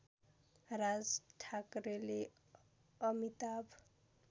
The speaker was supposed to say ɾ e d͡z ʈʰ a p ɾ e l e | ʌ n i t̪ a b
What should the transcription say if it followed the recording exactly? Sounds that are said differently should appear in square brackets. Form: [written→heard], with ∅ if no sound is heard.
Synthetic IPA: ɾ [e→a] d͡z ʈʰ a [p→k] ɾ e l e | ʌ [n→m] i t̪ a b